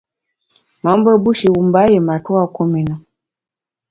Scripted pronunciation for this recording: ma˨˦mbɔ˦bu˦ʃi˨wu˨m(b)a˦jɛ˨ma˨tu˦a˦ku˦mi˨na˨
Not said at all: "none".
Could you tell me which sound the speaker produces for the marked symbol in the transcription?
b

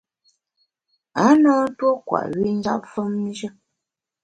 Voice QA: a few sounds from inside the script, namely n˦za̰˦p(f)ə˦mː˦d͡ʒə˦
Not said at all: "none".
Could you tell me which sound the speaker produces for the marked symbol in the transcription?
f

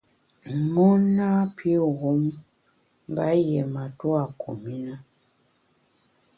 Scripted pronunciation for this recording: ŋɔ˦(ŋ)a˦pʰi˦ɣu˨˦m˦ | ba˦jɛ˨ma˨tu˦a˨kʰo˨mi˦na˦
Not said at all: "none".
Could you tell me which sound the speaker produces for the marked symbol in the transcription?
n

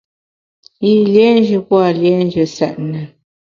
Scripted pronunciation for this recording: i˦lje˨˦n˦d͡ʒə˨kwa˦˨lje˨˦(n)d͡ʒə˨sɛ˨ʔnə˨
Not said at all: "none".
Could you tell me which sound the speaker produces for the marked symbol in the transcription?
n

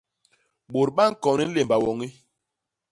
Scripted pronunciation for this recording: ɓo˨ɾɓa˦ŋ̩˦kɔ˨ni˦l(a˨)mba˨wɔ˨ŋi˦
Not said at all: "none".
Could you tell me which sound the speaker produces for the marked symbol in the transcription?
e˨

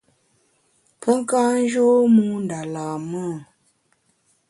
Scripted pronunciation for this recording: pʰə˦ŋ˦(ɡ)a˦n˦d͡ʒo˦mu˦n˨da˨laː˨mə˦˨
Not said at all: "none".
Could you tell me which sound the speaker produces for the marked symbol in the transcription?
k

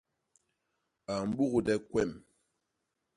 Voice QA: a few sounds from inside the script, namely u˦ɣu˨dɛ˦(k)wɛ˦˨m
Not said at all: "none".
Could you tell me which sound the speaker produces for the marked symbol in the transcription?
k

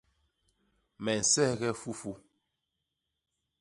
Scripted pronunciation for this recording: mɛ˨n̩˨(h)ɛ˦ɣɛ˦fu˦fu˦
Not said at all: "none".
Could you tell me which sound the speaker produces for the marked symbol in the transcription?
s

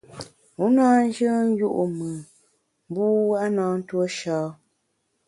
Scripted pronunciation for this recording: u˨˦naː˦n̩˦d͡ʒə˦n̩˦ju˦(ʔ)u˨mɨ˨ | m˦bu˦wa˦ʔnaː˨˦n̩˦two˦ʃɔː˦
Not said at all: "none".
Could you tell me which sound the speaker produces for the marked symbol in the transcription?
ʔ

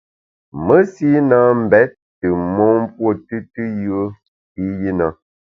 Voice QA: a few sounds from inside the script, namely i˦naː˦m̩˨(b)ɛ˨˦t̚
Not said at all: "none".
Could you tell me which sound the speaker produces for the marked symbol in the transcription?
b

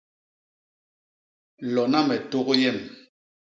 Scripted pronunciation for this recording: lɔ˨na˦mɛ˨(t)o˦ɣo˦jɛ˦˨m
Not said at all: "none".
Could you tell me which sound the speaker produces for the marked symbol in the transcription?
t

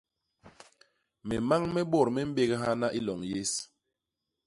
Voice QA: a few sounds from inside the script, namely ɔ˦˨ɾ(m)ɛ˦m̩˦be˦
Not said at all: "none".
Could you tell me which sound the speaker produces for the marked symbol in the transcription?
m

